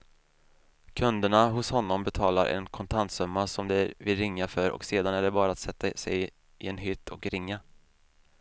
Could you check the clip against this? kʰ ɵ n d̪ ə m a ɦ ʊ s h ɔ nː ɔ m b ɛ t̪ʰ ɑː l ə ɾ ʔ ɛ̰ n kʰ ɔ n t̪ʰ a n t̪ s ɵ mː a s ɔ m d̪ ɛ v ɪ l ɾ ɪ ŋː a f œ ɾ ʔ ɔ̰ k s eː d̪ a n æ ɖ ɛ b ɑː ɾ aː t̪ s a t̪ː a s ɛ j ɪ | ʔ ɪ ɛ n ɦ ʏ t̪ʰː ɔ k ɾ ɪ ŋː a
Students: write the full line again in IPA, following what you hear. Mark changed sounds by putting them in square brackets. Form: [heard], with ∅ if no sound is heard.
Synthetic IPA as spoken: kʰ ɵ n d̪ ə [ɳ] a ɦ ʊ s h ɔ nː ɔ m b ɛ t̪ʰ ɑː l [a] ɾ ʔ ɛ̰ n kʰ ɔ n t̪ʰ a n t̪ s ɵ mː a s ɔ m d̪ ɛ v ɪ l ɾ ɪ ŋː a f œ ɾ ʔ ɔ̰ k s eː d̪ a n æ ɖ ɛ b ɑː ɾ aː t̪ s [ɛ] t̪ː a s ɛ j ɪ | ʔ ɪ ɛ n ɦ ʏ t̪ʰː ɔ k ɾ ɪ ŋː a